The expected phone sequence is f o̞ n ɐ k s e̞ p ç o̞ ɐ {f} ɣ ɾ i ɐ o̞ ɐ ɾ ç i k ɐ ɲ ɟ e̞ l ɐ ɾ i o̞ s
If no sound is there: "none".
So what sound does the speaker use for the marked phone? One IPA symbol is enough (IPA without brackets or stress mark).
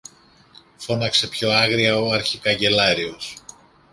none